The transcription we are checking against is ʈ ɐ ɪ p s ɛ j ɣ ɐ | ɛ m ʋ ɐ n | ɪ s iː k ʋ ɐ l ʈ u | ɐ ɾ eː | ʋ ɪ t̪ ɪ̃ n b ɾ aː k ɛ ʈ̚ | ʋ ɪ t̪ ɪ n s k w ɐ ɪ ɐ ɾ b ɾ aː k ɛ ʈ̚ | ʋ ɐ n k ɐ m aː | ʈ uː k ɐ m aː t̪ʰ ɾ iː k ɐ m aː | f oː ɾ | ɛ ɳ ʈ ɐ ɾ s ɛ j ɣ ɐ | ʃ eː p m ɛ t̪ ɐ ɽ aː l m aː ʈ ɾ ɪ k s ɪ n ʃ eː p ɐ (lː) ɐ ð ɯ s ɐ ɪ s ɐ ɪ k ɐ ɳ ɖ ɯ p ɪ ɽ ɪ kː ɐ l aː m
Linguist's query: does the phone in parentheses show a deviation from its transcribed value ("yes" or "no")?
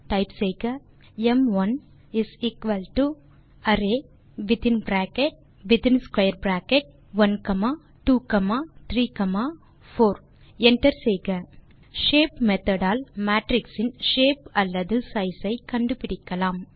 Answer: no